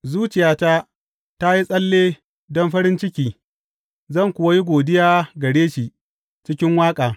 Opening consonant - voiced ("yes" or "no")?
yes